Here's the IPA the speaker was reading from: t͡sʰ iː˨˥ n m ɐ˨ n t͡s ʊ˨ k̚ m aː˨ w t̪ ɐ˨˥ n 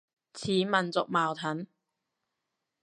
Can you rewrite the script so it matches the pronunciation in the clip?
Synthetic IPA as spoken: t͡sʰ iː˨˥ m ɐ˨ n t͡s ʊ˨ k̚ m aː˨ w t̪ʰ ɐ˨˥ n